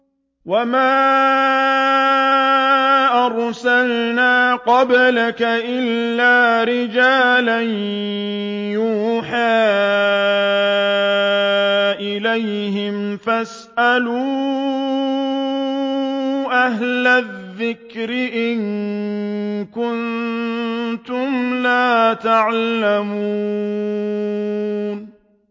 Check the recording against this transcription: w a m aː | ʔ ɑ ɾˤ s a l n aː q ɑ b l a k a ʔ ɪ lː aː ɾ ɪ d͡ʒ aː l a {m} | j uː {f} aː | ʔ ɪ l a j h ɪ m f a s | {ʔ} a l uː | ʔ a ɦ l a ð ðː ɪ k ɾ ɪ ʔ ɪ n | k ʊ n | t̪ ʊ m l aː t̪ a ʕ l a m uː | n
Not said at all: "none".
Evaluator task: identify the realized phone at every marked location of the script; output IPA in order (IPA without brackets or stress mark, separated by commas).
n, ħ, ʔ